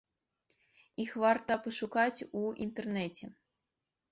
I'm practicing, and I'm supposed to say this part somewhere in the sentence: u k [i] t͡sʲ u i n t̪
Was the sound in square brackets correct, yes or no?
no